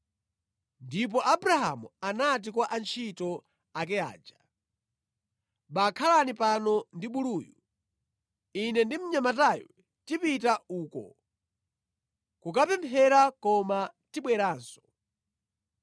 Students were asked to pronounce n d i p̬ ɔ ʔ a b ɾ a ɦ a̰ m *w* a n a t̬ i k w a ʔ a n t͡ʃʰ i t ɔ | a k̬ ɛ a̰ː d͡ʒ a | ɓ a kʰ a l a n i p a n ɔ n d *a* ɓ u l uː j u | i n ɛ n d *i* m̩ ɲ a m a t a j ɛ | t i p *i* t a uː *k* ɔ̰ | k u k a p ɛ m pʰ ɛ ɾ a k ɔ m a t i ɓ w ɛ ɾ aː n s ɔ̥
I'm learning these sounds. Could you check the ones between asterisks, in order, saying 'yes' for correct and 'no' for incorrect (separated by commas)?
no, no, yes, yes, yes